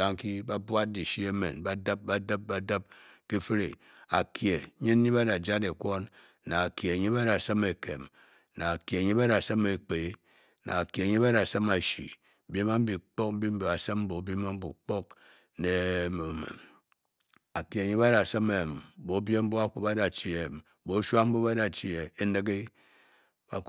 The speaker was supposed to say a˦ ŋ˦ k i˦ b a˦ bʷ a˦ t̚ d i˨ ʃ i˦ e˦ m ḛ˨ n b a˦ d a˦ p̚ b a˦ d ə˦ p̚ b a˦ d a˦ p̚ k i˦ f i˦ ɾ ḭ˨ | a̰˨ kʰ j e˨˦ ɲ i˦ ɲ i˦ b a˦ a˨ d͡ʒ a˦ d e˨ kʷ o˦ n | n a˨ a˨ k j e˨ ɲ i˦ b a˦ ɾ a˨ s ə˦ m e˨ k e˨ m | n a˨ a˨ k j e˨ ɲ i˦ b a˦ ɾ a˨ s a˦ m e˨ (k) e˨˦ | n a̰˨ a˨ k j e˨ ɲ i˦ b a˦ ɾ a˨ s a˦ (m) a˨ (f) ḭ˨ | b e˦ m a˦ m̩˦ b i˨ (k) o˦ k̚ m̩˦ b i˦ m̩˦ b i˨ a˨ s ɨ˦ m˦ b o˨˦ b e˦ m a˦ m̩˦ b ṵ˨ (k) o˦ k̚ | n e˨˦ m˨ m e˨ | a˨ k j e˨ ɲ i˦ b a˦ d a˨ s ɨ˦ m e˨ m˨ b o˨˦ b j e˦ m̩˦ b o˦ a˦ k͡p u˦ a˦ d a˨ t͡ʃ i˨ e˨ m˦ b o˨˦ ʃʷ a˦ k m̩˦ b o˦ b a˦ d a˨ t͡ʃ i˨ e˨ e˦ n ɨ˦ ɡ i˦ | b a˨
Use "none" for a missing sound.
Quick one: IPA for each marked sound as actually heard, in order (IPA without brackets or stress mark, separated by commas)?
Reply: k͡p, m, ʃ, k͡p, k͡p